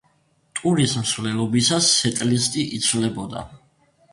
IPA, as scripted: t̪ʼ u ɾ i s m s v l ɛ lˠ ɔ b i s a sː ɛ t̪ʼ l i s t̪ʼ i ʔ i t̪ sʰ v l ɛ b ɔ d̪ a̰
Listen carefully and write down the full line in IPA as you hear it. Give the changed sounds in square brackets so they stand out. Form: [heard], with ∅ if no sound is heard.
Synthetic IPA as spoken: t̪ʼ u ɾ i s m s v l ɛ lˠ ɔ b i s a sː ɛ t̪ʼ l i s t̪ʼ i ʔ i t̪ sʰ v l ɛ b ɔ d̪ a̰